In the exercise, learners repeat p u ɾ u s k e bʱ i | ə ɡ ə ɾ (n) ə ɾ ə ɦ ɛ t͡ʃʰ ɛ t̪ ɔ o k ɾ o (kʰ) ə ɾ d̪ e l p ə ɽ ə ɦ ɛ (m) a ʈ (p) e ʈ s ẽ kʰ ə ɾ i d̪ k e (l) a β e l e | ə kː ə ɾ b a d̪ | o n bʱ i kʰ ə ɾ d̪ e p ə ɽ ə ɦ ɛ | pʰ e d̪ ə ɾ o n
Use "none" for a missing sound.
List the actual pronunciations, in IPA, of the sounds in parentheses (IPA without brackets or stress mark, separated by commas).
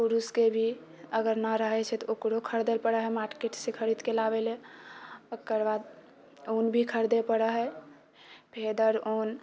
n, kʰ, m, k, l